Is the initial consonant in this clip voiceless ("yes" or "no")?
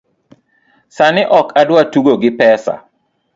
yes